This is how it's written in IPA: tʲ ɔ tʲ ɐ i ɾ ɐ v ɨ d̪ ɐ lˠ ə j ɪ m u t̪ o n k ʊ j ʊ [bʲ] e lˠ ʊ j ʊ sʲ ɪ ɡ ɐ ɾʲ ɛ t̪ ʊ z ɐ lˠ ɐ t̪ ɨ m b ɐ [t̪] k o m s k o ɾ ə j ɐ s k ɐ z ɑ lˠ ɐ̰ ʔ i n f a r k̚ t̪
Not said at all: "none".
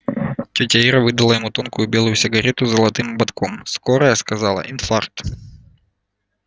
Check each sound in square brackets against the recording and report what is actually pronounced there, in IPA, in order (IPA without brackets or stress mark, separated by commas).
bʲ, t̪